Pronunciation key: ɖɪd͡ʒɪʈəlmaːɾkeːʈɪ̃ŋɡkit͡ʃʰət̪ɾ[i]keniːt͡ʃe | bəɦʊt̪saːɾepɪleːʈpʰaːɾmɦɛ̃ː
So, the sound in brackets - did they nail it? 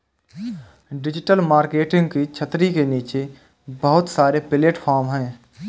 yes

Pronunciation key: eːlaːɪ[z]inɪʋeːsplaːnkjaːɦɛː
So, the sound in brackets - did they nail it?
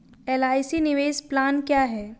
no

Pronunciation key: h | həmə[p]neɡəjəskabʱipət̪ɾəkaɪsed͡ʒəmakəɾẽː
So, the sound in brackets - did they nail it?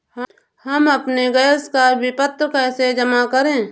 yes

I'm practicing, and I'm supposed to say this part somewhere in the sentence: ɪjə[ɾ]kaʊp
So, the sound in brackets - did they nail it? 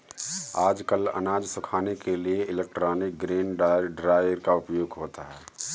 yes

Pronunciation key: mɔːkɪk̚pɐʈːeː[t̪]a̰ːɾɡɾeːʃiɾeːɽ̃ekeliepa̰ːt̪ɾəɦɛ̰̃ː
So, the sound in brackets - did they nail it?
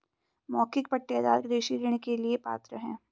no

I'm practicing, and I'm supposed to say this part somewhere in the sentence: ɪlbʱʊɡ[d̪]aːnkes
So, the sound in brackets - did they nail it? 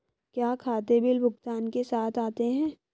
no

